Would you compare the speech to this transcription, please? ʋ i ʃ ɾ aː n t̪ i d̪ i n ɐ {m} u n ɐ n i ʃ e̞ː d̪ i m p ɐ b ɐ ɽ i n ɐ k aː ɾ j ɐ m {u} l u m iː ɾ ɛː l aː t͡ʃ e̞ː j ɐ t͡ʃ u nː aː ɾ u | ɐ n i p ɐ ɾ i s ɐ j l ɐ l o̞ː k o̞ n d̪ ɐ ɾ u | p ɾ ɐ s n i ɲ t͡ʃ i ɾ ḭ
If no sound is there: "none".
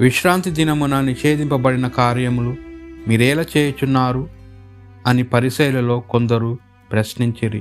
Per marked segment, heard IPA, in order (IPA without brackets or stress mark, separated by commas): m, u